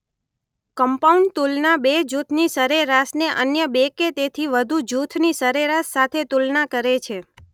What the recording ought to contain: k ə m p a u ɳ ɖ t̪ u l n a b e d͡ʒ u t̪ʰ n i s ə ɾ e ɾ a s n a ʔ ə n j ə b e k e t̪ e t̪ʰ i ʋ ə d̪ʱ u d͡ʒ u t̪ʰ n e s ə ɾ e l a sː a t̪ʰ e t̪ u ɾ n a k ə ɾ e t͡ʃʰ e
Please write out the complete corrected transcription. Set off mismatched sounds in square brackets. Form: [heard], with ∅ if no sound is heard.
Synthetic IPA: k ə m p a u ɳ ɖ t̪ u l n a b e d͡ʒ u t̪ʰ n i s ə ɾ e ɾ a s n [e] ʔ ə n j ə b e k e t̪ e t̪ʰ i ʋ ə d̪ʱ u d͡ʒ u t̪ʰ n [i] s ə ɾ e [ɾ] a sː a t̪ʰ e t̪ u [l] n a k ə ɾ e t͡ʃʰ e